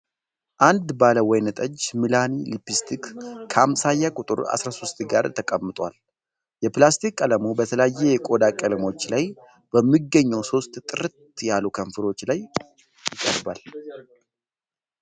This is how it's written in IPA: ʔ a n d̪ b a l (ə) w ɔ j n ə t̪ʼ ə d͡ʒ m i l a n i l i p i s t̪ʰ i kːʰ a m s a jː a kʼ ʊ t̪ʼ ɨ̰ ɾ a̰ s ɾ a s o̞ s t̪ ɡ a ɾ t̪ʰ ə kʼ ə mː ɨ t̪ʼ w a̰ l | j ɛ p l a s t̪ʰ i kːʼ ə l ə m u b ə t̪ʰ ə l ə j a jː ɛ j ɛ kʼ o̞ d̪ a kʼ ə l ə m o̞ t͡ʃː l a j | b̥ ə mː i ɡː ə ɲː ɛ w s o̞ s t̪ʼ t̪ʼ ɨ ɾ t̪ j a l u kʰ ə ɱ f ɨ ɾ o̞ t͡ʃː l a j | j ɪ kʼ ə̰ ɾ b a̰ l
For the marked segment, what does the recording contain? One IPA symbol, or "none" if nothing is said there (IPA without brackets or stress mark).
ə